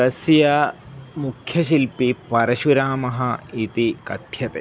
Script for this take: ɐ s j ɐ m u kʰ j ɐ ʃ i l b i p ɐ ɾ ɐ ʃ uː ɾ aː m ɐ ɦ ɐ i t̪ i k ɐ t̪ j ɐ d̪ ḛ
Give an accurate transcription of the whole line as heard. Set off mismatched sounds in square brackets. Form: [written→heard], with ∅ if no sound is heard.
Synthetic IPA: ɐ s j ɐ m u kʰ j ɐ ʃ i l [b→p] i p ɐ ɾ ɐ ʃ [uː→u] ɾ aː m ɐ ɦ ɐ i t̪ i k ɐ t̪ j ɐ [d̪→t̪] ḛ